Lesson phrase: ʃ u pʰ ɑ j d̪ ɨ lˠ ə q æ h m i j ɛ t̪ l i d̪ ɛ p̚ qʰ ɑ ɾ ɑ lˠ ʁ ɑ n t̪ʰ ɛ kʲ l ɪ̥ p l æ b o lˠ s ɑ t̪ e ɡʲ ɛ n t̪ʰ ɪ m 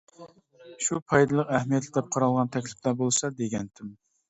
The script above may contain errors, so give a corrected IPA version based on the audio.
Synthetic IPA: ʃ u pʰ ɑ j d̪ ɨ lˠ ə q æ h m i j ɛ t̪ l ɪ d̪ ɛ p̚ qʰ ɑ ɾ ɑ lˠ ʁ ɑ n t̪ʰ ɛ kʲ l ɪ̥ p l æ b o lˠ s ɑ d̪ e ɡʲ ɛ n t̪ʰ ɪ m